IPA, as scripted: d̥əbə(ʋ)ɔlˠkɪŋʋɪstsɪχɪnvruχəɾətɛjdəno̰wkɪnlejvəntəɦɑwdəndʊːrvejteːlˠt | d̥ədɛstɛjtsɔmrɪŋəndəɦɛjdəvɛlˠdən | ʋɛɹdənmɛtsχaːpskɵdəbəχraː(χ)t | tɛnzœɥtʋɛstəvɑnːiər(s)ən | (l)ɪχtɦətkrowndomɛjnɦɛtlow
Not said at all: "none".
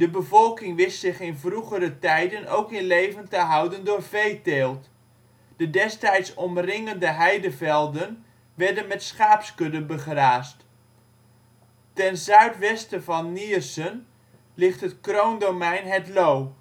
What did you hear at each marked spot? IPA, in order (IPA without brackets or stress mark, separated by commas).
v, s, s, l